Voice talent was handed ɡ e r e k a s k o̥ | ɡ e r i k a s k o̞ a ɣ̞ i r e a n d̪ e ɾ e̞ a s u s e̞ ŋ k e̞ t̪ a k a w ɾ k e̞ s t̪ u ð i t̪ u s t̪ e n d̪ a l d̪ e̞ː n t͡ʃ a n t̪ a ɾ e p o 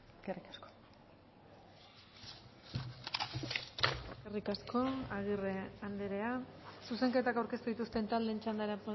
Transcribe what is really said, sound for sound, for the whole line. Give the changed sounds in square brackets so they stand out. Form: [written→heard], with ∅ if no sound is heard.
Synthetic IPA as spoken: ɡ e r [e→i] k a s k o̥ | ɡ e r i k a s k o̞ a ɣ̞ i r e a n d̪ e ɾ e̞ a s u s e̞ ŋ k e̞ t̪ a k a w ɾ k e̞ s t̪ u ð i t̪ u s t̪ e n [d̪→t̪] a l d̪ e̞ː n t͡ʃ a n [t̪→d̪] a ɾ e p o